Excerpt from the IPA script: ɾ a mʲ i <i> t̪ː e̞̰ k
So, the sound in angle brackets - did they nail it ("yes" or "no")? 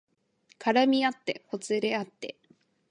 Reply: no